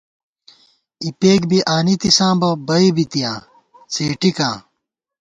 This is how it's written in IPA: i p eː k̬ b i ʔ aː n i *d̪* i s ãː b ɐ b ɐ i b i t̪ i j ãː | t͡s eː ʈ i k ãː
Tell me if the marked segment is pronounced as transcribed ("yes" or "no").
no